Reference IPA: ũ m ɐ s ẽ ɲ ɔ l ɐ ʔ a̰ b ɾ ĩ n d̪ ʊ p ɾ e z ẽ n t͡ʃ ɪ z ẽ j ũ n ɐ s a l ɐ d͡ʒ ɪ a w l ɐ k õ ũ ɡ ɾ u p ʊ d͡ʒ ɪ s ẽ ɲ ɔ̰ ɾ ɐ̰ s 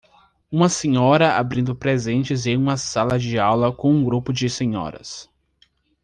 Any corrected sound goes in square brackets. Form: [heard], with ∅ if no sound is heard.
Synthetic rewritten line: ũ m ɐ s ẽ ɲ ɔ [ɾ] ɐ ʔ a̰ b ɾ ĩ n d̪ ʊ p ɾ e z ẽ n t͡ʃ ɪ z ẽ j ũ [m] ɐ s a l ɐ d͡ʒ ɪ a w l ɐ k õ ũ ɡ ɾ u p ʊ d͡ʒ ɪ s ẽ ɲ ɔ̰ ɾ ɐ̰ s